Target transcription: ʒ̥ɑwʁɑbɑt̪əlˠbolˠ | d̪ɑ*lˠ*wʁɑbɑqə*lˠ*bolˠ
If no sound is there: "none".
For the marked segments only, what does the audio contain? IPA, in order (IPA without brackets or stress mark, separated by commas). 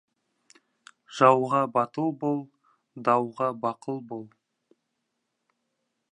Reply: none, lˠ